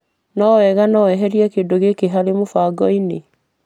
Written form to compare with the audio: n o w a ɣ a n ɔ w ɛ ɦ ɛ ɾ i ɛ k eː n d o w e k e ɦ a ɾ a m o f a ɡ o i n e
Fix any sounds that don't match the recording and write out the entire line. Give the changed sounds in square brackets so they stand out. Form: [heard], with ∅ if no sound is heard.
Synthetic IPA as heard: n [ɔ] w [ɛ] ɣ a n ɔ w ɛ ɦ ɛ ɾ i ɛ k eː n d o [ɣ] e k e ɦ a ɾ [e] m o f a ɡ [ɔ] i n e